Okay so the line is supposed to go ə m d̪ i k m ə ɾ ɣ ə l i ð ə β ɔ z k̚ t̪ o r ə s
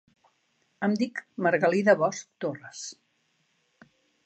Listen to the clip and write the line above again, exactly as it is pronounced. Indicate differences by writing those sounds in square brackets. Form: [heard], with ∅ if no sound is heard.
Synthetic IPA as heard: ə m d̪ i k m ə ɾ ɣ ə l i ð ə β ɔ [s] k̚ t̪ o r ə s